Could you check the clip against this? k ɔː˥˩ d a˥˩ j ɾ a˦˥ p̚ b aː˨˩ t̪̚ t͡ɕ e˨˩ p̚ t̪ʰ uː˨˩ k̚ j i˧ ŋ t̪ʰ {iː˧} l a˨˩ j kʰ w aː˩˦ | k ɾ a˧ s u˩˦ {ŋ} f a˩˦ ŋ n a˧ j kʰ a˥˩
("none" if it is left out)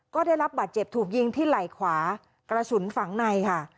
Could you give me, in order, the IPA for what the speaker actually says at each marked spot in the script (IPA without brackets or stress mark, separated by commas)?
iː˥˩, n